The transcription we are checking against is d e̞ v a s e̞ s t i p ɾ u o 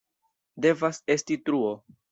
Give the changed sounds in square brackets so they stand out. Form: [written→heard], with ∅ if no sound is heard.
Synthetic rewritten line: d e̞ v a s e̞ s t i [p→t] ɾ u o